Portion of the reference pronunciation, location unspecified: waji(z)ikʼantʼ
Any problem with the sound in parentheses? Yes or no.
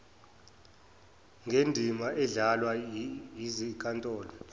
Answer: no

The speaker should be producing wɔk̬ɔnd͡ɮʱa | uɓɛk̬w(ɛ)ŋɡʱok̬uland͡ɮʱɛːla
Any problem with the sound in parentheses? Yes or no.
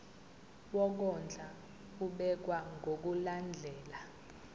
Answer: yes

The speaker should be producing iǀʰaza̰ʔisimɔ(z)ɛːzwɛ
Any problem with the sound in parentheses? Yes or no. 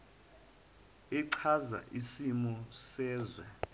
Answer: yes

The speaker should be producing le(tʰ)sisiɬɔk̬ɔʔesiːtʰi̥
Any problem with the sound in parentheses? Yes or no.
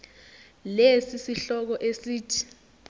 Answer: yes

